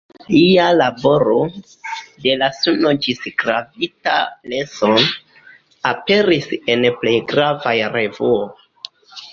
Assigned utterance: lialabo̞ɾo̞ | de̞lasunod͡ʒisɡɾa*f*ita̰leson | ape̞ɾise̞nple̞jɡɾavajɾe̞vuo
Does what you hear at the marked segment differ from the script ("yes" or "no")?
yes